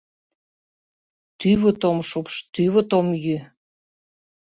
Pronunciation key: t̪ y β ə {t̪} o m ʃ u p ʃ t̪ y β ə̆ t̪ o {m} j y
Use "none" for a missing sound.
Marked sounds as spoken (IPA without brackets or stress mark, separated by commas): t̪, m